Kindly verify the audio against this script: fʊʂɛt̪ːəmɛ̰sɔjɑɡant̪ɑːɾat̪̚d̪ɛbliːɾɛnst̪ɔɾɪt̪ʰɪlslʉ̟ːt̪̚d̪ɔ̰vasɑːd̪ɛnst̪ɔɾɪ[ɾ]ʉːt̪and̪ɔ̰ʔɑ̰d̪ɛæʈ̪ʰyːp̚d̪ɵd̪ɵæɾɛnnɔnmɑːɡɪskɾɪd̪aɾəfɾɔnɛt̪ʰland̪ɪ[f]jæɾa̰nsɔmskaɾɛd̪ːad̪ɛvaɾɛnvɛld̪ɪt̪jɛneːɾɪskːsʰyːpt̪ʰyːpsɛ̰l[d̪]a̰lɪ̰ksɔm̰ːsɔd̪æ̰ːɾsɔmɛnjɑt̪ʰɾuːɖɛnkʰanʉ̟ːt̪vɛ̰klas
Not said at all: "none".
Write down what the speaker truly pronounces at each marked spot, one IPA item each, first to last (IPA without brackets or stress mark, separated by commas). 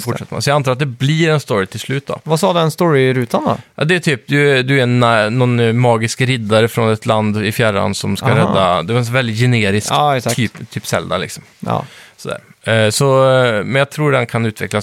ɾ, f, d̪